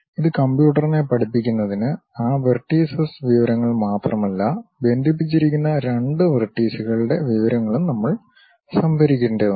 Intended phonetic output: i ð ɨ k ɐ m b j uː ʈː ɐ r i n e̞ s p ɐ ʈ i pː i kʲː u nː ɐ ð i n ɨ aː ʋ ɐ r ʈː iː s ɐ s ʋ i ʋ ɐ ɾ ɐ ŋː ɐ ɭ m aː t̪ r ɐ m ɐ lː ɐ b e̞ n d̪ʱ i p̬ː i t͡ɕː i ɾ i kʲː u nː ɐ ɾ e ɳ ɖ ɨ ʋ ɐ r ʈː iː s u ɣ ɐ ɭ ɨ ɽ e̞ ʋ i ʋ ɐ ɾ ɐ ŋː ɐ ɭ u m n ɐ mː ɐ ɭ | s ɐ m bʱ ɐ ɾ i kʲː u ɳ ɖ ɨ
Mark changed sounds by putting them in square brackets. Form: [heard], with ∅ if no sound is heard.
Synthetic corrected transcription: i ð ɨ k ɐ m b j uː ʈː ɐ r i n e̞ [∅] p ɐ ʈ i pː i kʲː u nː ɐ ð i n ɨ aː ʋ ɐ r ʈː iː s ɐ s ʋ i ʋ ɐ ɾ ɐ ŋː ɐ ɭ m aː t̪ r ɐ m ɐ lː ɐ b e̞ n d̪ʱ i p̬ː i t͡ɕː i ɾ i kʲː u nː ɐ ɾ e ɳ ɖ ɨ ʋ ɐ r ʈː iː s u ɣ ɐ ɭ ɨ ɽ e̞ ʋ i ʋ ɐ ɾ ɐ ŋː ɐ ɭ u m n ɐ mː ɐ ɭ | s ɐ m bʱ ɐ ɾ i kʲː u ɳ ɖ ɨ